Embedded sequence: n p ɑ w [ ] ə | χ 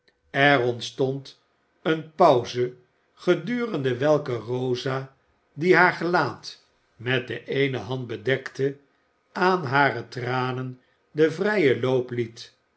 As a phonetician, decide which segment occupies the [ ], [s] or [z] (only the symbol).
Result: z